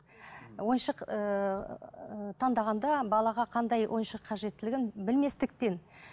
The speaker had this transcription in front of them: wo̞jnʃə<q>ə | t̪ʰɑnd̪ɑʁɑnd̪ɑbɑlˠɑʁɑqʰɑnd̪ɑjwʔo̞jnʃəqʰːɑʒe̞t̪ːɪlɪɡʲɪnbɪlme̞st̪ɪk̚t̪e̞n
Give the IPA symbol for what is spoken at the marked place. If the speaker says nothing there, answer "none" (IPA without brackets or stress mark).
q